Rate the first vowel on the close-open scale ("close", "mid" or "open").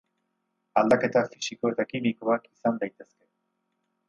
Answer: open